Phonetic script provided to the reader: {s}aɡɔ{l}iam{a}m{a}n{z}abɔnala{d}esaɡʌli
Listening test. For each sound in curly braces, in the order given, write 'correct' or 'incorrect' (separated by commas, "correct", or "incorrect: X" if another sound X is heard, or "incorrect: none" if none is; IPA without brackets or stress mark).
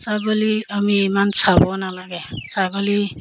correct, correct, incorrect: i, correct, incorrect: s, incorrect: ɡ